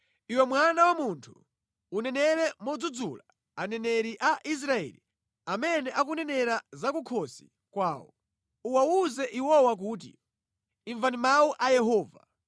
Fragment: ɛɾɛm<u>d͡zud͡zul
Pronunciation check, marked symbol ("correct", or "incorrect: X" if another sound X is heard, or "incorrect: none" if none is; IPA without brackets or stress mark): incorrect: ɔ